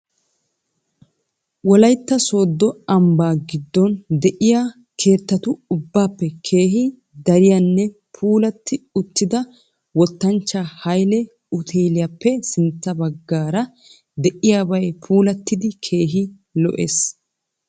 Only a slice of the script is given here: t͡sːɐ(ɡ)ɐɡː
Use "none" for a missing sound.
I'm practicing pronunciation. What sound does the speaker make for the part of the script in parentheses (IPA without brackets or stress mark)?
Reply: b